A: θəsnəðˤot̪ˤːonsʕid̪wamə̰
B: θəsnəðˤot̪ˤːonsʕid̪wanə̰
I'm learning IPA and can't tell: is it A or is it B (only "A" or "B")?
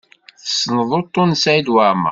A